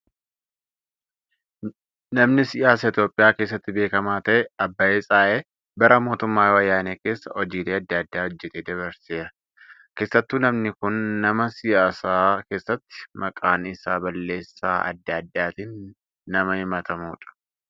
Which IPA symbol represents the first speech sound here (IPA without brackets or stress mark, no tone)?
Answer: n